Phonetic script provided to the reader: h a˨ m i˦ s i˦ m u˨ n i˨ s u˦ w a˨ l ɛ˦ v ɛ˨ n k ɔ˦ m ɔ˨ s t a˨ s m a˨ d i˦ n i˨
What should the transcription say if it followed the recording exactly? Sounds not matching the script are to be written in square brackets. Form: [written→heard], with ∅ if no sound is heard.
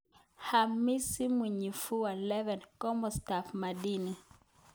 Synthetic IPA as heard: h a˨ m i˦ s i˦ m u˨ [n→ɲ] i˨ [s→f] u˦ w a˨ l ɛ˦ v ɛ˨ n k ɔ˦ m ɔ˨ s t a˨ [s→f] m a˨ d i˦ n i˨